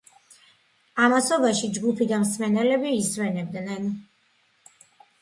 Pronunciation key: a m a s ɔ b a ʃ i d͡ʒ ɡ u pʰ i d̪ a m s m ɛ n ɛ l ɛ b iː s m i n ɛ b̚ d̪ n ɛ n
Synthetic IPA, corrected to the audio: a m a s ɔ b a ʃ i d͡ʒ ɡ u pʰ i d̪ a m s m ɛ n ɛ l ɛ b iː s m ɛ n ɛ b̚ d̪ n ɛ n

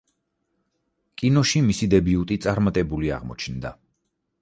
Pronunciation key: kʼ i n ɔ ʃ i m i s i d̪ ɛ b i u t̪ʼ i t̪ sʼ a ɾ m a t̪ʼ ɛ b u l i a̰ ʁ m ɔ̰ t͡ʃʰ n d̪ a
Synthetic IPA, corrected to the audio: kʼ i n ɔ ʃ i m i s i d̪ ɛ b i u t̪ʼ i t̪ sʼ a ɾ m a t̪ʼ ɛ b u l i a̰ ʁ m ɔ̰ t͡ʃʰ n d̪ a

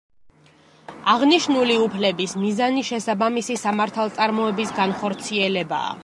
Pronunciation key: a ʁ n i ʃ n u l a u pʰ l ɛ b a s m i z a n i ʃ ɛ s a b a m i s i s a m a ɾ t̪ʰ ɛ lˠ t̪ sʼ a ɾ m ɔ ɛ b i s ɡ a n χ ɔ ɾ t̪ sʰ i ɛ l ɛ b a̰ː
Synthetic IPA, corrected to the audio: a ʁ n i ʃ n u l i u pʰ l ɛ b i s m i z a n i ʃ ɛ s a b a m i s i s a m a ɾ t̪ʰ a lˠ t̪ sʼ a ɾ m ɔ ɛ b i s ɡ a n χ ɔ ɾ t̪ sʰ i ɛ l ɛ b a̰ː

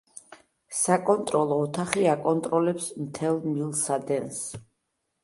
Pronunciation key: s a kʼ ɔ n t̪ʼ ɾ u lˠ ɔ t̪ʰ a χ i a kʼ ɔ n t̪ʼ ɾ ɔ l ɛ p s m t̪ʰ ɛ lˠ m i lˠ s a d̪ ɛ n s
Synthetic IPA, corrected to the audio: s a kʼ ɔ n t̪ʼ ɾ ɔ lˠ ɔː t̪ʰ a χ i a kʼ ɔ n t̪ʼ ɾ ɔ l ɛ p s m t̪ʰ ɛ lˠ m i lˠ s a d̪ ɛ n s

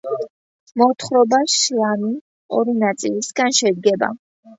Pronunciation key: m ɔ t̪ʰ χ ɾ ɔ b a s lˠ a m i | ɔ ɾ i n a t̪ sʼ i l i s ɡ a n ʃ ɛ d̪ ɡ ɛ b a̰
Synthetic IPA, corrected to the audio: m ɔ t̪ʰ χ ɾ ɔ b a ʃ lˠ a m i | ɔ ɾ i n a t̪ sʼ i l i s ɡ a n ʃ ɛ d̪ ɡ ɛ b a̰

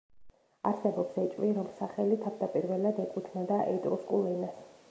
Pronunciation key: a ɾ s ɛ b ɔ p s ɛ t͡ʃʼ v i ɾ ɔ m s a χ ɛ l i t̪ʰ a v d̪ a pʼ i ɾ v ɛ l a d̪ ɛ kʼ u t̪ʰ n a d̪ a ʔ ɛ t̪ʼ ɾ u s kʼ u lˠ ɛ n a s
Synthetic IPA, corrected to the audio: a ɾ s ɛ b ɔ p s ɛ t͡ʃʼ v i ɾ ɔ m s a χ ɛ l i t̪ʰ a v d̪ a pʼ i ɾ v ɛ l a d̪ ɛ kʼ u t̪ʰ n a d̪ a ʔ ɛ t̪ʼ ɾ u s kʼ u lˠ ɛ n a s

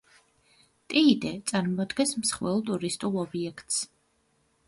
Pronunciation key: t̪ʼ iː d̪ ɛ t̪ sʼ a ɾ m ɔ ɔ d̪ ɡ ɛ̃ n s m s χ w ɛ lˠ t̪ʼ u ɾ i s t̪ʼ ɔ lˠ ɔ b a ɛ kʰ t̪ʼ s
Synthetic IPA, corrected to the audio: t̪ʼ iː d̪ ɛ t̪ sʼ a ɾ m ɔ ɔ d̪ ɡ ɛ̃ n s m s χ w ɛ lˠ t̪ʼ u ɾ i s t̪ʼ u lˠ ɔ b i ɛ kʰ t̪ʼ s

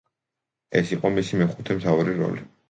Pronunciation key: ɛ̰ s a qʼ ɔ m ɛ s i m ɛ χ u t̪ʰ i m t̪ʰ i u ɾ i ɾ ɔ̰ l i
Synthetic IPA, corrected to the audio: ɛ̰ s i qʼ ɔ m i s i m ɛ χ u t̪ʰ ɛ m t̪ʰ a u ɾ i ɾ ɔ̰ l i

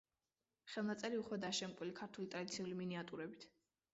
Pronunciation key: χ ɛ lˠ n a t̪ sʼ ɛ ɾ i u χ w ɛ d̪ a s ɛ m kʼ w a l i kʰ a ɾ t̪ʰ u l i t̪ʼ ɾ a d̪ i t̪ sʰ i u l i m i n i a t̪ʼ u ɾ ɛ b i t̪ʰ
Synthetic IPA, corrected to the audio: χ ɛ lˠ n a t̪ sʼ ɛ ɾ i u χ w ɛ d̪ a ʃ ɛ m kʼ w i l i kʰ a ɾ t̪ʰ u l i t̪ʼ ɾ a d̪ i t̪ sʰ i u l i m i n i a t̪ʼ u ɾ ɛ b i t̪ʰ

